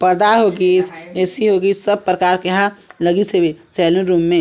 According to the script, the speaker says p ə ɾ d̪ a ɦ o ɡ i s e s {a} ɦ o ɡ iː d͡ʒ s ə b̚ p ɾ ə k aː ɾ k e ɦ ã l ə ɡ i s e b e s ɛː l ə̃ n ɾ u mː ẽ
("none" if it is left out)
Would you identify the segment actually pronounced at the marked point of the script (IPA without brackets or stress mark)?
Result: i